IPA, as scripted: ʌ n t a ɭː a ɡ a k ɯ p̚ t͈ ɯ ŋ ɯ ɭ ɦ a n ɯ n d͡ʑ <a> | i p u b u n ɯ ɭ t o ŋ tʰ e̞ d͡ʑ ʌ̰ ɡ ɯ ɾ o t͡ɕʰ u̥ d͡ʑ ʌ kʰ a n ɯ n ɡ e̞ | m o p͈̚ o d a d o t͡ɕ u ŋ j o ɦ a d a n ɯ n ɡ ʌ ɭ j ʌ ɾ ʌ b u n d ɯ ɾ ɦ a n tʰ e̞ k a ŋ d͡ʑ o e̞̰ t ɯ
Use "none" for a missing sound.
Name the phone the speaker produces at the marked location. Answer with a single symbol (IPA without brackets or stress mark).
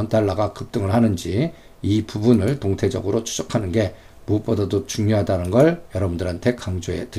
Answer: i